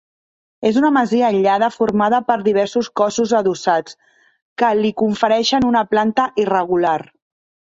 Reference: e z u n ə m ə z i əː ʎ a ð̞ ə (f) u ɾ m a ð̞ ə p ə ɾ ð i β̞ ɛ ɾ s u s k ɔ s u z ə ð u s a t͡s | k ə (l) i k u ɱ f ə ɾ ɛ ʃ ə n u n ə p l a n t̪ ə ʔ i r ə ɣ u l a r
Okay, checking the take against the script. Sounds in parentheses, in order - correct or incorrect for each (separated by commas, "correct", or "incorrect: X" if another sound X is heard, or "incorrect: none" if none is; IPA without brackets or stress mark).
correct, correct